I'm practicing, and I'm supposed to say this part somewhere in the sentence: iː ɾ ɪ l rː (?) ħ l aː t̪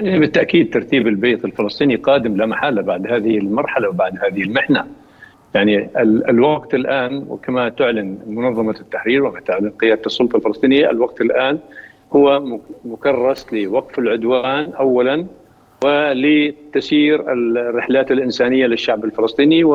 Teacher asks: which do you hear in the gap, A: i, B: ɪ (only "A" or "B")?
B